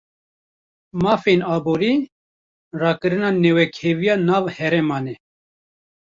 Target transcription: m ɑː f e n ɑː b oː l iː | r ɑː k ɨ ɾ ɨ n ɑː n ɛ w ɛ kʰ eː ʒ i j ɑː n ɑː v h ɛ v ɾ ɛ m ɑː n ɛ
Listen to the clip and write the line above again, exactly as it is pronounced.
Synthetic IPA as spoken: m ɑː f e n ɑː b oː ɾ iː | r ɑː k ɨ ɾ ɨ n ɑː n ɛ w ɛ kʰ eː v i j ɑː n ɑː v h ɛ ɾ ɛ m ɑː n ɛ